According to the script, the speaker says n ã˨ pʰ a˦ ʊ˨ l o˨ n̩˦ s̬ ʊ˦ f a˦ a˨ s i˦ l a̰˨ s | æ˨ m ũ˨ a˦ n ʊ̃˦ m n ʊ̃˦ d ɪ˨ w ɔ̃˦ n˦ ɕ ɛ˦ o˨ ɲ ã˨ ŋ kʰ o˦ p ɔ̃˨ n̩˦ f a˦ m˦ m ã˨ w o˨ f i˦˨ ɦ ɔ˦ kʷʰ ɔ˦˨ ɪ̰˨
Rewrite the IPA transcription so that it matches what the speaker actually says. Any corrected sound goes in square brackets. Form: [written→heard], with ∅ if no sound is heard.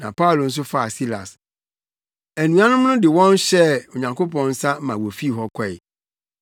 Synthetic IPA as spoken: n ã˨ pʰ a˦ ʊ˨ l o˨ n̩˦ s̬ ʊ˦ f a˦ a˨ s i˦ l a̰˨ s | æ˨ [m→n] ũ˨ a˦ n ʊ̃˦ m n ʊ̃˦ d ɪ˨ w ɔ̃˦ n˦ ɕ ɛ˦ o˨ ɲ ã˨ ŋ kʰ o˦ p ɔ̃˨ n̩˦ [f→s] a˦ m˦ m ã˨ w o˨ f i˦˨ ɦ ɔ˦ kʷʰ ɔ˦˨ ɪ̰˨

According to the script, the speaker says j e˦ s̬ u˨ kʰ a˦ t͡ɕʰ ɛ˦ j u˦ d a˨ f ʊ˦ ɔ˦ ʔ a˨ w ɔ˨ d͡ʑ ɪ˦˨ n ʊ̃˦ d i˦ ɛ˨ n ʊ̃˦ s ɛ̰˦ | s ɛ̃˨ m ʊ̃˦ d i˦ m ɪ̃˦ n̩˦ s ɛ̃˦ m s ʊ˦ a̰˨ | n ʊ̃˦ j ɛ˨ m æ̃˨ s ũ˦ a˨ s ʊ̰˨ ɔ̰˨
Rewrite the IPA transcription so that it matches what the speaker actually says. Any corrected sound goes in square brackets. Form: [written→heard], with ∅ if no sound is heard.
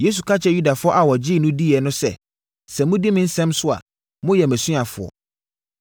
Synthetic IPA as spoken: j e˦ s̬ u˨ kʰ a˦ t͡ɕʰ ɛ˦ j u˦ d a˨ f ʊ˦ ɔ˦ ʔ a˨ w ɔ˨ d͡ʑ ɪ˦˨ n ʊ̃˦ d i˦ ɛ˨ n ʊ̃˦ s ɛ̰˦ | s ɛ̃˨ m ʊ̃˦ d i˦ m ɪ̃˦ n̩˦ s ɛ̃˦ m s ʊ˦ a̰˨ | [n→m] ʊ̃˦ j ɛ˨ m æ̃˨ s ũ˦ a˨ [s→f] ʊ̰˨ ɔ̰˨

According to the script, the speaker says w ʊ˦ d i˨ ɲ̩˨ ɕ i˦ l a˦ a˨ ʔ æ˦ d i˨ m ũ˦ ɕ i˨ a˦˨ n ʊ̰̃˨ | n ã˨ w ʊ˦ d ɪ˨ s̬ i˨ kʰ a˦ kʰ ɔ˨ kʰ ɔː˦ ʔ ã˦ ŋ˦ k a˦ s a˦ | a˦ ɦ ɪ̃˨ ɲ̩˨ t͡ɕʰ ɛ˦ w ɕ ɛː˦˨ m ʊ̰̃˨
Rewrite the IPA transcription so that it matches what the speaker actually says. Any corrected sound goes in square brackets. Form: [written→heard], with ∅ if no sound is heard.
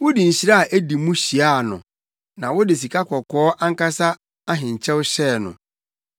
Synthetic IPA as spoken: w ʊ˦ d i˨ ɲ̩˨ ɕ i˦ [l→ɾ] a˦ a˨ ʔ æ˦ d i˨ m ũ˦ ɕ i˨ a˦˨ n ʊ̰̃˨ | n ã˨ w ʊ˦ d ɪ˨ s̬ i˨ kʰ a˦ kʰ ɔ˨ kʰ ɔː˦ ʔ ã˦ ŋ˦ k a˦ s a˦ | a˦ ɦ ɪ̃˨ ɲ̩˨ t͡ɕʰ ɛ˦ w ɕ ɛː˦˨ [m→n] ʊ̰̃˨

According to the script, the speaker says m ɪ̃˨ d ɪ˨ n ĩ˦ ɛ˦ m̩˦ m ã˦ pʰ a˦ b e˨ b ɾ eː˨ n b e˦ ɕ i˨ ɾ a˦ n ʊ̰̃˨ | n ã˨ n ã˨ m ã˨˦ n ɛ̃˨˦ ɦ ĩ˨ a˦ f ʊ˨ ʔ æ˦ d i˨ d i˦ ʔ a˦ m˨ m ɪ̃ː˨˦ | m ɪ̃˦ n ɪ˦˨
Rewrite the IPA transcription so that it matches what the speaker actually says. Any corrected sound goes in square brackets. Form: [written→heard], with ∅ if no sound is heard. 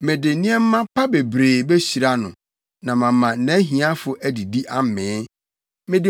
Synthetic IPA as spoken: m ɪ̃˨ d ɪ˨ n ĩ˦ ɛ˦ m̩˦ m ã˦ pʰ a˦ b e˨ b ɾ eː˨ [n→∅] b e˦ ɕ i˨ ɾ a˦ n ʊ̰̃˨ | n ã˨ [n→m] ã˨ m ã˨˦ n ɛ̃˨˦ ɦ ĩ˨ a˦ f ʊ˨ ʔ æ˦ d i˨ d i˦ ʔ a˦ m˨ m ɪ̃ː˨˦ | m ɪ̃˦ [n→d] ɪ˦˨

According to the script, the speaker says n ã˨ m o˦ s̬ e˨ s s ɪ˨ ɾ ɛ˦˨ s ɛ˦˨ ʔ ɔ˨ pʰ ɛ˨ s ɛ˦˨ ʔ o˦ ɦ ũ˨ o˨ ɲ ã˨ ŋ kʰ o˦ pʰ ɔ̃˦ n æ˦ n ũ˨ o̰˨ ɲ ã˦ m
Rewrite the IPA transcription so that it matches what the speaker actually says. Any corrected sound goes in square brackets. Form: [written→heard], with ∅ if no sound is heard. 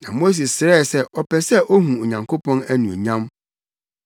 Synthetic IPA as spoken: n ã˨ m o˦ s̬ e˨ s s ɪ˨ ɾ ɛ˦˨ s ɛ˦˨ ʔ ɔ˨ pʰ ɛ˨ s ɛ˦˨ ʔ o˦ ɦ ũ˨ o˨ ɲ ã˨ ŋ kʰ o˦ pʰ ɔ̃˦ n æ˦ n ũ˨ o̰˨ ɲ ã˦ m

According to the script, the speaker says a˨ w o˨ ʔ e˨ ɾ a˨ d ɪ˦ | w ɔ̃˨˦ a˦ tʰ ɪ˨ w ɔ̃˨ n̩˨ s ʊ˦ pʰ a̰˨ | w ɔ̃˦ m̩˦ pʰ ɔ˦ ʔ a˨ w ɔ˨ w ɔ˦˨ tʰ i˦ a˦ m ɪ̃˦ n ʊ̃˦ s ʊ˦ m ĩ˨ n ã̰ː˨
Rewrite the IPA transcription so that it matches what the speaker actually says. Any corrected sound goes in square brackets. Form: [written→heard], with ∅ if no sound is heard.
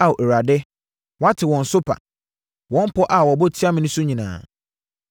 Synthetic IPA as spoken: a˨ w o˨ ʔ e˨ ɾ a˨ d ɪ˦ | w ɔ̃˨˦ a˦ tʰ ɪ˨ w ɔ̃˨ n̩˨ s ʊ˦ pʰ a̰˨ | w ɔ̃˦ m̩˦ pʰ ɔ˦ ʔ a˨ w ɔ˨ [w→b] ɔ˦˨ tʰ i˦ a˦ m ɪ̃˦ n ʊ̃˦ s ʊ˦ [m→ɲ] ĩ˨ n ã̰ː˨

